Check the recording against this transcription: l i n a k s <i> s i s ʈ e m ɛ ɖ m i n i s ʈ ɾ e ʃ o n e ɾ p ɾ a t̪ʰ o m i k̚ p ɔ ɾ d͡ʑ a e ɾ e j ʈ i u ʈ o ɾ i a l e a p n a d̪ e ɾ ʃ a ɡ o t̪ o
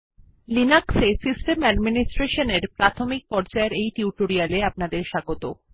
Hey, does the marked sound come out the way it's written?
no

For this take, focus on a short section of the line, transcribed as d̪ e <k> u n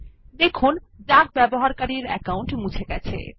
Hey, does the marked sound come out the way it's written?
no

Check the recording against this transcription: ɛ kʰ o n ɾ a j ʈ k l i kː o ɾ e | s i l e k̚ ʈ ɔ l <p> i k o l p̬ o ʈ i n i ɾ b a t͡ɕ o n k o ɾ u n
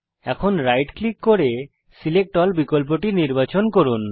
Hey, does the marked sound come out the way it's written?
no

